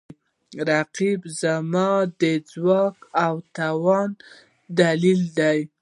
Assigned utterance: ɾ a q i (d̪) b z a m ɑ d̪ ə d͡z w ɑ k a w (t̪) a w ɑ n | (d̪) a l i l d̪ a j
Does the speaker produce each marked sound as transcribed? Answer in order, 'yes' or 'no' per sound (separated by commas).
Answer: no, yes, yes